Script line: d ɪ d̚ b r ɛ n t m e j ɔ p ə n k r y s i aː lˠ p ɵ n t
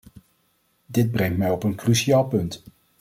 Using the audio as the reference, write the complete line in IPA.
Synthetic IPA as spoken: d ɪ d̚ b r ɛ ŋ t m ɛ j ɔ p ə n k r y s i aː lˠ p ɵ n t